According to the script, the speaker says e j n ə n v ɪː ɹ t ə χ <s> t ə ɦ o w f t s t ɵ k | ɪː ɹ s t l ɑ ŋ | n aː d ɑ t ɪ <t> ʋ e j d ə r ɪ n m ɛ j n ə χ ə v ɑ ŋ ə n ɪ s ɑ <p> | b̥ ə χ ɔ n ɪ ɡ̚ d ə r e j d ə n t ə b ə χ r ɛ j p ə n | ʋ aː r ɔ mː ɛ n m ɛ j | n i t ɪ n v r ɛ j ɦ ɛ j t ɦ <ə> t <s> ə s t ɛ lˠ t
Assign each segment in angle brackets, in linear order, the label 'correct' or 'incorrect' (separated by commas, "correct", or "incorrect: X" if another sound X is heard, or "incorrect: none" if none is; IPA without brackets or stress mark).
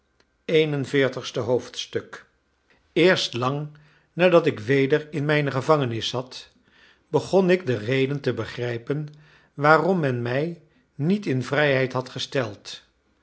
correct, incorrect: k, incorrect: t, incorrect: ɑ, incorrect: χ